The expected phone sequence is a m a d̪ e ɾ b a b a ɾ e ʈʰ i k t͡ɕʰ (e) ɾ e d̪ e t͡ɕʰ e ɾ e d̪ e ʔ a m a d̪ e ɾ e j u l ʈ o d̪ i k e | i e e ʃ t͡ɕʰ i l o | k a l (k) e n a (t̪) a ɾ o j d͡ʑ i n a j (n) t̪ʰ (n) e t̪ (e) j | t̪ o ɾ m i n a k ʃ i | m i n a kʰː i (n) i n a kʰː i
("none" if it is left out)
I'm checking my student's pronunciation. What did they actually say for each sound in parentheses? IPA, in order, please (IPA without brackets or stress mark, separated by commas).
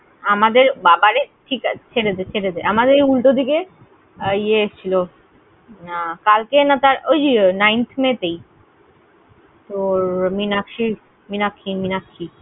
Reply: e, k, t̪, n, m, e, m